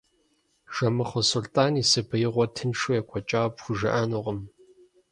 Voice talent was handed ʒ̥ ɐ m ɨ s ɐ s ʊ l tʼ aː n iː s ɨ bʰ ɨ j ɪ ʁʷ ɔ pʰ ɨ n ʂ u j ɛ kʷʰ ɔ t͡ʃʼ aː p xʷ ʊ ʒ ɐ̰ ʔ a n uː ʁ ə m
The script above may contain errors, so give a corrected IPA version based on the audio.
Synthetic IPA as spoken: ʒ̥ ɐ m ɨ χ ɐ s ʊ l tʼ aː n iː s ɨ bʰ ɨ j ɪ ʁʷ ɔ tʰ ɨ n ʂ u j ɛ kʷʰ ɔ t͡ʃʼ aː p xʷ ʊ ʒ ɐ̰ ʔ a n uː ʁ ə m